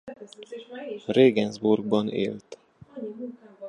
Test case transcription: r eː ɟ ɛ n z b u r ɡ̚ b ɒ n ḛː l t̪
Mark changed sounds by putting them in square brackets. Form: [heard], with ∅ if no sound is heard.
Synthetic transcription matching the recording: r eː [ɡ] ɛ n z b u r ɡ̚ b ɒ n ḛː l t̪